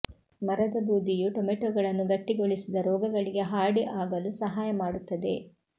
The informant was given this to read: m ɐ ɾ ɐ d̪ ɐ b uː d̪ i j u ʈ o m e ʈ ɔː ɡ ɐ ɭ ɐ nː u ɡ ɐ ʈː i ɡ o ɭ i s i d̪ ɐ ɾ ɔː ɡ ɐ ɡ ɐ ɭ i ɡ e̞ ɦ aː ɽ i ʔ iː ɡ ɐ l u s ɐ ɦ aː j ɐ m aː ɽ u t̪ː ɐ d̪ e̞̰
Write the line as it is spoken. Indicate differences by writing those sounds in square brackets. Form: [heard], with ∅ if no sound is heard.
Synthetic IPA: m ɐ ɾ ɐ d̪ ɐ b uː d̪ i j u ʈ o m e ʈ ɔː ɡ ɐ ɭ ɐ nː u ɡ ɐ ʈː i ɡ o ɭ i s i d̪ ɐ ɾ ɔː ɡ ɐ ɡ ɐ ɭ i ɡ e̞ ɦ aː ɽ i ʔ [aː] ɡ ɐ l u s ɐ ɦ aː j ɐ m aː ɽ u t̪ː ɐ d̪ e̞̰